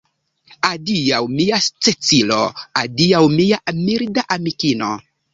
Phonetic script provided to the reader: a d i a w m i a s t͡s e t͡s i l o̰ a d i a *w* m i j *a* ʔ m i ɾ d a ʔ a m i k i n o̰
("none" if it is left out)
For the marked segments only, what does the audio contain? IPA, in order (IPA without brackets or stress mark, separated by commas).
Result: w, a